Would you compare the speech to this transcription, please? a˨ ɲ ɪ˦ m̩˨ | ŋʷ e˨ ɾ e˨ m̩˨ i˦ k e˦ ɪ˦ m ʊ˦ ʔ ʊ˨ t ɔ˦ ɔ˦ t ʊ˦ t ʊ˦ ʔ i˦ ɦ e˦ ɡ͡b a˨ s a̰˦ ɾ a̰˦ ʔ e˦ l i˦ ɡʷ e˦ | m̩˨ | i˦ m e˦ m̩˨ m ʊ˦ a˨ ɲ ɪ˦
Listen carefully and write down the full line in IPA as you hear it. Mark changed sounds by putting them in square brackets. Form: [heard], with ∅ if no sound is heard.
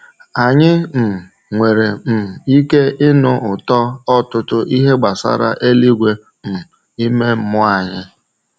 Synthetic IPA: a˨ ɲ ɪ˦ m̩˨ | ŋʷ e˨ ɾ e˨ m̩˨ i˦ k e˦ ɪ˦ [n] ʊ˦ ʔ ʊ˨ t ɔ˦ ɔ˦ t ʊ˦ t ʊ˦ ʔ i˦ ɦ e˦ ɡ͡b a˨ s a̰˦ ɾ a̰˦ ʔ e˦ l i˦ ɡʷ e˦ | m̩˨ | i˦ m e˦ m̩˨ m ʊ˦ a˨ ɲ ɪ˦